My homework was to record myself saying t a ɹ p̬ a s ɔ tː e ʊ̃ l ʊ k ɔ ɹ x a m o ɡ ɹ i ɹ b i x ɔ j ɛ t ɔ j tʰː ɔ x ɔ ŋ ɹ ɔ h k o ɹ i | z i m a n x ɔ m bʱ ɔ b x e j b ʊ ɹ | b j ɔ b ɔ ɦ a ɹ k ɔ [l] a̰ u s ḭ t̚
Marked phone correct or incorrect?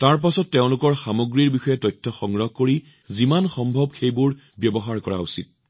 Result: incorrect